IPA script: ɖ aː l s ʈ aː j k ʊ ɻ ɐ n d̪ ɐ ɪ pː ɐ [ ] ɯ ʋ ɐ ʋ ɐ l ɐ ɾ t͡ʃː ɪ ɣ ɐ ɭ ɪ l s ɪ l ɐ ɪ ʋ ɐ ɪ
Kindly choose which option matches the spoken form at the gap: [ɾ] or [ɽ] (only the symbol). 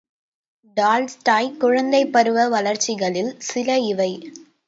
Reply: ɾ